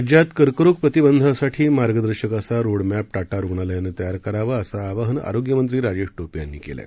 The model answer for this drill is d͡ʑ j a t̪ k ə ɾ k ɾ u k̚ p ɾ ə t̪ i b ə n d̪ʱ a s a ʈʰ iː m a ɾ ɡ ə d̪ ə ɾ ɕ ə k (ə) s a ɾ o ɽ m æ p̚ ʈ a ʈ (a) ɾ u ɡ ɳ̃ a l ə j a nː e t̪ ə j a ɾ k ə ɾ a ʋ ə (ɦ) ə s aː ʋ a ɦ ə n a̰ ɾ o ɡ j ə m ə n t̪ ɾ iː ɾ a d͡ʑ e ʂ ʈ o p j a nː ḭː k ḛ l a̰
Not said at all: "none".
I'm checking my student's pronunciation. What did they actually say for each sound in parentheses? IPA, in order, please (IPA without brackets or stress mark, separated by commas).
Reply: a, a, none